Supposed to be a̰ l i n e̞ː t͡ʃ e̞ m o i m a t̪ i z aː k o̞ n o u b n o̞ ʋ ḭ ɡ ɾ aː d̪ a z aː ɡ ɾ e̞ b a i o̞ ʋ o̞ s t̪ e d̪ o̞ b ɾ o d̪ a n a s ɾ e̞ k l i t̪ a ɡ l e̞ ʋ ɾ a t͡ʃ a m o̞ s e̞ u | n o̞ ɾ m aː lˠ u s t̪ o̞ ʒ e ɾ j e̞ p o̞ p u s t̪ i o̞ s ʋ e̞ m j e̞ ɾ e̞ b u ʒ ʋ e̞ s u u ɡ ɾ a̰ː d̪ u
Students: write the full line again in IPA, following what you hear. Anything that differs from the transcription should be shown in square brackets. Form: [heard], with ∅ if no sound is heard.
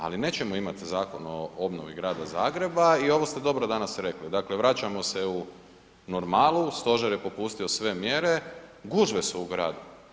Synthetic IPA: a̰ l i n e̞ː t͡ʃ e̞ m o i m a t̪ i z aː k o̞ n o [o] b n o̞ ʋ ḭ ɡ ɾ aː d̪ a z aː ɡ ɾ e̞ b a i o̞ ʋ o̞ s t̪ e d̪ o̞ b ɾ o d̪ a n a s ɾ e̞ k l i [d̪] a [k] l e̞ ʋ ɾ a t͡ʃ a m o̞ s e̞ u | n o̞ ɾ m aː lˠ u s t̪ o̞ ʒ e ɾ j e̞ p o̞ p u s t̪ i o̞ s ʋ e̞ m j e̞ ɾ e̞ [ɡ] u ʒ ʋ e̞ s u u ɡ ɾ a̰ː d̪ u